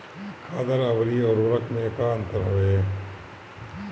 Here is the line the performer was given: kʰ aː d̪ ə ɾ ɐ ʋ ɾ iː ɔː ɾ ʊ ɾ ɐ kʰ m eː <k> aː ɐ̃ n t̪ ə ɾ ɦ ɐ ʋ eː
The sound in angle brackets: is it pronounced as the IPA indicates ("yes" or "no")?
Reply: yes